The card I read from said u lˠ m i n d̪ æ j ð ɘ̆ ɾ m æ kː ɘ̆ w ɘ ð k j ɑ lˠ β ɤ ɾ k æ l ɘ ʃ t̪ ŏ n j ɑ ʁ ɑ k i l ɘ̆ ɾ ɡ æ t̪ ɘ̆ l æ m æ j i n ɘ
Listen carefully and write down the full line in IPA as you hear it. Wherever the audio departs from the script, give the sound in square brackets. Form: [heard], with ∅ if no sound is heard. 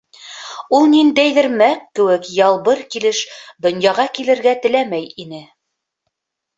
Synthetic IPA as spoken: u lˠ [n] i n d̪ æ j ð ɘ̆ ɾ m æ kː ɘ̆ w ɘ [∅] k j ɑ lˠ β ɤ ɾ k [i] l ɘ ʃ [d̪] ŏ n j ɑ ʁ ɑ k i l ɘ̆ ɾ ɡ æ t̪ ɘ̆ l æ m æ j i n ɘ